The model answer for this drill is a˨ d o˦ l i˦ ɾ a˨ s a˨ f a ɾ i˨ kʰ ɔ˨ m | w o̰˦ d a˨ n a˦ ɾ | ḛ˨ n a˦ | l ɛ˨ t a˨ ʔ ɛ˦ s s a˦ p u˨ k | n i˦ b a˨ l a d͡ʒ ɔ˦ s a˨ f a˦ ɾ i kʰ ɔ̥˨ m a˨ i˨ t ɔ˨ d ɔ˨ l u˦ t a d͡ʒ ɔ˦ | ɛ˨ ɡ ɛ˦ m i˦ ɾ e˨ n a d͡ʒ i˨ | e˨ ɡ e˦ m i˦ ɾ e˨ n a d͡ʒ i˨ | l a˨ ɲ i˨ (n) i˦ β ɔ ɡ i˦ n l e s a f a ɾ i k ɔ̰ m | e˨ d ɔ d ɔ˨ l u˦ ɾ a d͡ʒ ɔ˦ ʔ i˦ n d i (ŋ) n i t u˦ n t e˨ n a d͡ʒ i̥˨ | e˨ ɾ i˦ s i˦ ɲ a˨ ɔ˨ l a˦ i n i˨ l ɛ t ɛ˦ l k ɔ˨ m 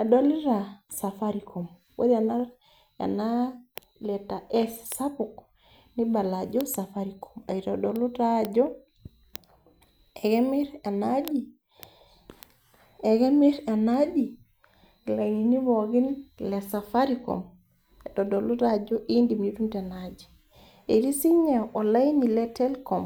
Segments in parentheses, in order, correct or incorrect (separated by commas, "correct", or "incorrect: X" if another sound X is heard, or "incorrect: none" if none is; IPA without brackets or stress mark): correct, incorrect: m